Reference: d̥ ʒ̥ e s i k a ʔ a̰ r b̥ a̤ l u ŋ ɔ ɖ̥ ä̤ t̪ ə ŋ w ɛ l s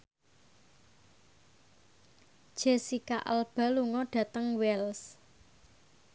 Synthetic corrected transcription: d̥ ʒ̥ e s i k a ʔ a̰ l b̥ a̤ l u ŋ ɔ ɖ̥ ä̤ t̪ ə ŋ w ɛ l s